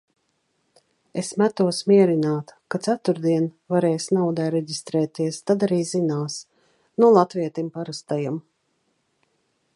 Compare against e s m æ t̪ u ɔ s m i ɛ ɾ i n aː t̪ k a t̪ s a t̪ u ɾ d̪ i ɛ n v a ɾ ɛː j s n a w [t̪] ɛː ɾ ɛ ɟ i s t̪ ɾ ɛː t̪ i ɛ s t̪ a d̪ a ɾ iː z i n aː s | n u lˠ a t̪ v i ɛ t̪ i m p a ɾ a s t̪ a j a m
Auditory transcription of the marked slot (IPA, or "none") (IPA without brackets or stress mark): d̪